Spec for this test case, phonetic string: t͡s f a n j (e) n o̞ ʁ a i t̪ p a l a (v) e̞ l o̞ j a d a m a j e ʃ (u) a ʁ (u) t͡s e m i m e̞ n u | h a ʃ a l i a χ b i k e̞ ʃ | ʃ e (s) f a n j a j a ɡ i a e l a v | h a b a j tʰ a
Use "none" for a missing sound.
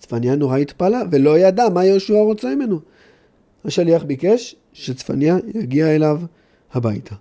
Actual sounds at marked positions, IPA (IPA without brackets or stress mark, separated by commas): a, v, u, o, t͡s